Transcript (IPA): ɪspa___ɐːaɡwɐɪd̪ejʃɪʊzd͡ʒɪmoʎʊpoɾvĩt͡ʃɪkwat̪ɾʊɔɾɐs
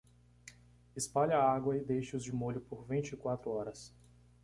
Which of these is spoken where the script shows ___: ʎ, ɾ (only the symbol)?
ʎ